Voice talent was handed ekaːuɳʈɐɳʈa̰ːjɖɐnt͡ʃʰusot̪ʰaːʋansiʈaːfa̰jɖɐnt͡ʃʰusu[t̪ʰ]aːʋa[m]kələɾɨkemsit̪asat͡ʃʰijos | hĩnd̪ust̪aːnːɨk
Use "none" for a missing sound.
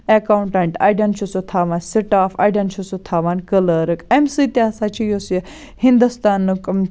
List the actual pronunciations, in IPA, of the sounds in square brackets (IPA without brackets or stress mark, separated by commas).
t̪ʰ, n